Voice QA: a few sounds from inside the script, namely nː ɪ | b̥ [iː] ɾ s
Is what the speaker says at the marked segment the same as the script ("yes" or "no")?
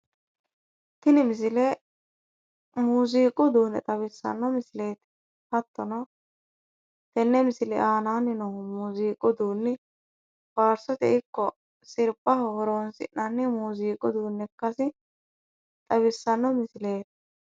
no